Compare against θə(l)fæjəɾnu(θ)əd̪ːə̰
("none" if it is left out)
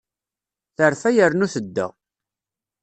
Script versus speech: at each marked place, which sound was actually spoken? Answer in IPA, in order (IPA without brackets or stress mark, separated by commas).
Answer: ɾ, θ